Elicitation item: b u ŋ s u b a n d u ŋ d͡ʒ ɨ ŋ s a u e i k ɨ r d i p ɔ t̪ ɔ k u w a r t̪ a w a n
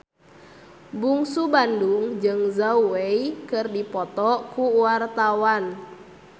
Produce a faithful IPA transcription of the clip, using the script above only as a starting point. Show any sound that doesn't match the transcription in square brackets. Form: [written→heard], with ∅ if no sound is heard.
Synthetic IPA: b u ŋ s u b a n d u ŋ d͡ʒ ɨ ŋ [s→z] a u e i k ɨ r d i p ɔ t̪ ɔ k u w a r t̪ a w a n